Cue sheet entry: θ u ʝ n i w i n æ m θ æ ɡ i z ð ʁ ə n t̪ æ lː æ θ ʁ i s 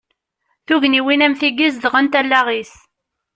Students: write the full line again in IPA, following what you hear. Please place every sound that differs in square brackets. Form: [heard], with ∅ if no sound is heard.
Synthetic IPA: θ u ʝ n i w i n æ m θ [i] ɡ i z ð ʁ ə n t̪ æ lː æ [∅] ʁ i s